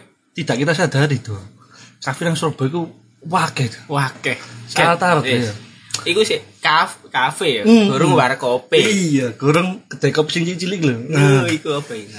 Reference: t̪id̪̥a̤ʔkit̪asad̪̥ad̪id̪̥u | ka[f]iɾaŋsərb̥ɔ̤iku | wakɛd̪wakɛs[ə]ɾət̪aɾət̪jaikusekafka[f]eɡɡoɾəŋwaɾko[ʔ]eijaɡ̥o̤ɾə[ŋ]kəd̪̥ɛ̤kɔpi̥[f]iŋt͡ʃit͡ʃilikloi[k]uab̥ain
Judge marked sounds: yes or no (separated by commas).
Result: yes, no, yes, no, yes, no, yes